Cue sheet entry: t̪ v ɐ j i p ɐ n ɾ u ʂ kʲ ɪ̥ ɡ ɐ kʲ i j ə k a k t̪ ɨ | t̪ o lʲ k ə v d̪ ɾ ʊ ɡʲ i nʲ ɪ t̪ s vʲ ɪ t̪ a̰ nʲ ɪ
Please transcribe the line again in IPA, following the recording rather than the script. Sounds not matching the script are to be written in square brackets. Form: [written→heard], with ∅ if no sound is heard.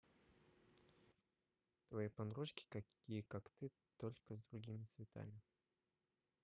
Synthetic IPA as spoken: t̪ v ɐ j i p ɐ n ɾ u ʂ kʲ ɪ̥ [ɡ→k] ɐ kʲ i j ə k a k t̪ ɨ | t̪ o lʲ k ə [v→z] d̪ ɾ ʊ ɡʲ i [nʲ→mʲ] ɪ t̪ s vʲ ɪ t̪ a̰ [nʲ→mʲ] ɪ